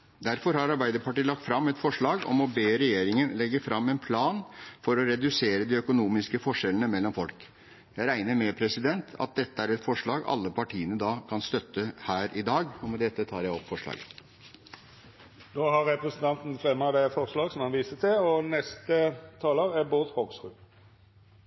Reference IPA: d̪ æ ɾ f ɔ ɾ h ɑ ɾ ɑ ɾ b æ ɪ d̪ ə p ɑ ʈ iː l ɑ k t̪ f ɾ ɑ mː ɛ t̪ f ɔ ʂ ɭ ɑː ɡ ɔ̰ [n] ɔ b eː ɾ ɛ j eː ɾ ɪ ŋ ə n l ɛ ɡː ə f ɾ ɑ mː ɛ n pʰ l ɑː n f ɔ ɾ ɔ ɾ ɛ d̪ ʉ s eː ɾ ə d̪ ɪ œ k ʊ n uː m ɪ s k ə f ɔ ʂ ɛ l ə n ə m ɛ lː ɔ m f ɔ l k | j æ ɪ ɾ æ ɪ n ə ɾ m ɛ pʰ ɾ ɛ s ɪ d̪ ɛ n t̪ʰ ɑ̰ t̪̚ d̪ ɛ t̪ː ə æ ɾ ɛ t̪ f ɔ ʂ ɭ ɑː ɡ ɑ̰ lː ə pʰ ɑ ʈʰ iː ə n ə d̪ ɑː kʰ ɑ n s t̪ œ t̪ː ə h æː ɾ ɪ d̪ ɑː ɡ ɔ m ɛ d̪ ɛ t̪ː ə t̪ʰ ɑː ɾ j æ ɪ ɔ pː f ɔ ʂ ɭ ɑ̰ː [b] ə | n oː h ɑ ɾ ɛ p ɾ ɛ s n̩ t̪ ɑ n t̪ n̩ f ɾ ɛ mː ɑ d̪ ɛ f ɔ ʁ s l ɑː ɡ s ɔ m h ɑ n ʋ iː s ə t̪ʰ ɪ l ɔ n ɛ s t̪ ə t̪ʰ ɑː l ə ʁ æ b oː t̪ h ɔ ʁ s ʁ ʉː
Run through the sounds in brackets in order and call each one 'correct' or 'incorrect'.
incorrect, incorrect

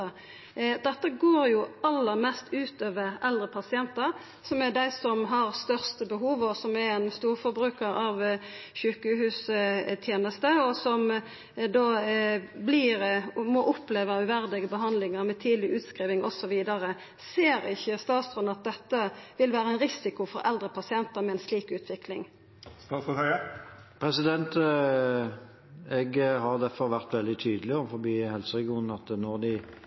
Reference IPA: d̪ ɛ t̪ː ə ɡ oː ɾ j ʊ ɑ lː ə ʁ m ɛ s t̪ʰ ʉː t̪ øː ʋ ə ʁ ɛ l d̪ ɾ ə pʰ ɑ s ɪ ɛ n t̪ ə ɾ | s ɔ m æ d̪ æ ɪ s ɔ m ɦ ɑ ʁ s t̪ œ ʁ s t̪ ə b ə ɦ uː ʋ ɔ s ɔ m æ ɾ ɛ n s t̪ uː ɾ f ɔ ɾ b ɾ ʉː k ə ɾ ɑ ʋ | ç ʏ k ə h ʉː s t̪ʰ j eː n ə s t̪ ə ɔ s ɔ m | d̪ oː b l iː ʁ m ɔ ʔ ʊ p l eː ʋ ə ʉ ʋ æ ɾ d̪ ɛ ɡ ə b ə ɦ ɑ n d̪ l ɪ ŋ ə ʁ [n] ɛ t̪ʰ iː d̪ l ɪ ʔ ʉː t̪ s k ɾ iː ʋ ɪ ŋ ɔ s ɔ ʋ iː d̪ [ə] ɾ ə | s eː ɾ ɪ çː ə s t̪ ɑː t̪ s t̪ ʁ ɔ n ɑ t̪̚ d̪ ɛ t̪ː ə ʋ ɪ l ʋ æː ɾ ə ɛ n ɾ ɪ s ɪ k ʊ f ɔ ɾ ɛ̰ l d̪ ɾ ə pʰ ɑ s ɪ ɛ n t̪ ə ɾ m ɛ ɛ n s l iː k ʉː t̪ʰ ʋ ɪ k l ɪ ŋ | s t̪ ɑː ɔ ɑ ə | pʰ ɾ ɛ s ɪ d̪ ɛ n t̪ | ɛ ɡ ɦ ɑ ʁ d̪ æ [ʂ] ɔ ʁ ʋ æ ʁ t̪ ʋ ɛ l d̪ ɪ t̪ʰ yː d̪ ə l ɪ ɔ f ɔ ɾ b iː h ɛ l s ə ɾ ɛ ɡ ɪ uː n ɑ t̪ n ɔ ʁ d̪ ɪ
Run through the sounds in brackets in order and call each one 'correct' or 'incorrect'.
incorrect, incorrect, incorrect

